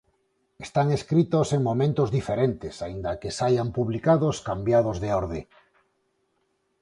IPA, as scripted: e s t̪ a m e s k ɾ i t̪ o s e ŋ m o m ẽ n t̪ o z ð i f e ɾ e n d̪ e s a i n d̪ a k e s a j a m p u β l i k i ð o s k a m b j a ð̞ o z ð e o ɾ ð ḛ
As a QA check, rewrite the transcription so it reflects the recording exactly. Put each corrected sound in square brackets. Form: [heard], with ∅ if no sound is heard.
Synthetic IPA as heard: e s t̪ a [ŋ] e s k ɾ i t̪ o s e ŋ m o m ẽ n t̪ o z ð i f e ɾ e n [t̪] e s a i n d̪ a k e s a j a m p u β l i k [a] ð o s k a m b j a ð̞ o z ð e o ɾ ð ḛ